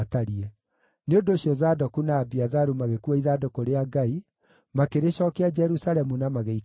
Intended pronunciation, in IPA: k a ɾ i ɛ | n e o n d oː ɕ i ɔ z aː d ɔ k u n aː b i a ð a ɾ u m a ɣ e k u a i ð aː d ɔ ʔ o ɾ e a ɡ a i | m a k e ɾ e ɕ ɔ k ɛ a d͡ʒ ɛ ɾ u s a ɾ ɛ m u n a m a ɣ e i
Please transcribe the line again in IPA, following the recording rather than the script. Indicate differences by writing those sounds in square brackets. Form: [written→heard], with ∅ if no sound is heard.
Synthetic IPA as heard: [k→t] a ɾ i ɛ | n e o n d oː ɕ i ɔ z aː d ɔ k u n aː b i a ð a ɾ u m a ɣ e k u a i ð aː d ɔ [ʔ→k] o ɾ e a ɡ a i | m a k e ɾ e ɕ ɔ k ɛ a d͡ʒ ɛ ɾ u s a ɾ ɛ m u n a m a ɣ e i